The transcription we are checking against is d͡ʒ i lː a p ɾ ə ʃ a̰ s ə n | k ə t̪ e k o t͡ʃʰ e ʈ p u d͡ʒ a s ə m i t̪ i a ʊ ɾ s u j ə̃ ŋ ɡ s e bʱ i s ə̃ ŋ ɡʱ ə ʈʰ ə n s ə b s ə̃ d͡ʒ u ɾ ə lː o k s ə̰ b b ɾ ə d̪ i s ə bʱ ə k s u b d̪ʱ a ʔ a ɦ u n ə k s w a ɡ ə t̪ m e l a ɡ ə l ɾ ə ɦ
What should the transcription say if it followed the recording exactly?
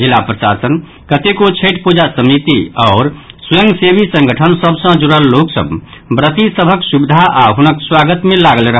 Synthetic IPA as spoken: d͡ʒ i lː a p ɾ ə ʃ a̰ s ə n | k ə t̪ e k o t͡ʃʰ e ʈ p u d͡ʒ a s ə m i t̪ i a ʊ ɾ s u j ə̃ ŋ ɡ s e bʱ i s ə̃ ŋ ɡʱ ə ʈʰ ə n s ə b s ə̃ d͡ʒ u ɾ ə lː o k s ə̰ b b ɾ ə t̪ i s ə bʱ ə k s u b d̪ʱ a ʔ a ɦ u n ə k s w a ɡ ə t̪ m e l a ɡ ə l ɾ ə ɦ